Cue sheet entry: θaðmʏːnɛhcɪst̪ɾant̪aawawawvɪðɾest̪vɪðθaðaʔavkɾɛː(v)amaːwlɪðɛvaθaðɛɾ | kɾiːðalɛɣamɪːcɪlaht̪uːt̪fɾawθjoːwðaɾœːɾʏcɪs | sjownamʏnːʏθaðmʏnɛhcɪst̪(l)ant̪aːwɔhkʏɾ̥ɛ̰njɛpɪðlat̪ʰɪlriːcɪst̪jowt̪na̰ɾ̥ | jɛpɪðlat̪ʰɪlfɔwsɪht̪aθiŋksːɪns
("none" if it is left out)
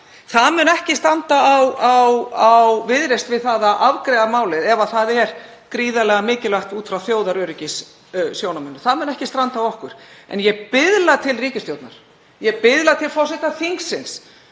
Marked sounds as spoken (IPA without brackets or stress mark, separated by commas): ð, ɾ